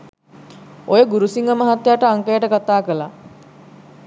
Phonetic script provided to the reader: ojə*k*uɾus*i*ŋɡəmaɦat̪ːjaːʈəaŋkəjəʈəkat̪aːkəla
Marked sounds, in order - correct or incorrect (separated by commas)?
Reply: incorrect, correct